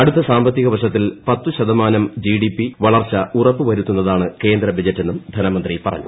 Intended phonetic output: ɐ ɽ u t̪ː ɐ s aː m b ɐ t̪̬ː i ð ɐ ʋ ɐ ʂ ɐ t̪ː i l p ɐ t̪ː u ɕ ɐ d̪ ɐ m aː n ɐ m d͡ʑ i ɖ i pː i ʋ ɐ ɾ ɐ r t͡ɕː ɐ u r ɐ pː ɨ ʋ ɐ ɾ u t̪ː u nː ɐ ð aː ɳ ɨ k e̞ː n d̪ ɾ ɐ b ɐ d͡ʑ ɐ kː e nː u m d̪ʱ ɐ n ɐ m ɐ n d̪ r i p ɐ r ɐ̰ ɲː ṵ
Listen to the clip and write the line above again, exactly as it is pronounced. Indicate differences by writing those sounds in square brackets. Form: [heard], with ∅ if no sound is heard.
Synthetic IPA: ɐ ɽ u t̪ː ɐ s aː m b ɐ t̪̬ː i [ɣ] ɐ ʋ ɐ ʂ ɐ t̪ː i l p ɐ t̪ː u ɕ ɐ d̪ ɐ m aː n ɐ m d͡ʑ i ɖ i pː i ʋ ɐ [ɭ] ɐ r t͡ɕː ɐ u r ɐ pː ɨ ʋ ɐ ɾ u t̪ː u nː ɐ ð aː ɳ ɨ k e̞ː n d̪ ɾ ɐ b ɐ d͡ʑ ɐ [tː] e nː u m d̪ʱ ɐ n ɐ m ɐ n d̪ r i p ɐ r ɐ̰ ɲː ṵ